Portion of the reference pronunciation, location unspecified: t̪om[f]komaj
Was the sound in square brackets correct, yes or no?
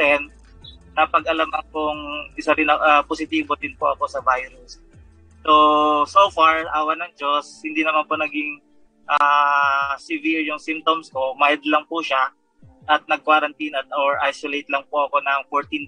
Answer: no